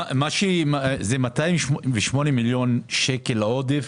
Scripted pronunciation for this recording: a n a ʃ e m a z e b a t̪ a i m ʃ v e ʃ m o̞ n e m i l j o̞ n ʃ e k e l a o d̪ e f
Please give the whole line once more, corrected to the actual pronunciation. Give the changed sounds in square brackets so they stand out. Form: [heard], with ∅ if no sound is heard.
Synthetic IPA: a [m] a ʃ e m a z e [m] a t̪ a i m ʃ v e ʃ m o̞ n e m i l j o̞ n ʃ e k e l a o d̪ e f